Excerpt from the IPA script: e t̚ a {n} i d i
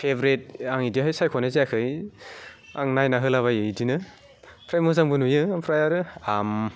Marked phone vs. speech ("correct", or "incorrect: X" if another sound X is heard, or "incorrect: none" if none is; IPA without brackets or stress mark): incorrect: ŋ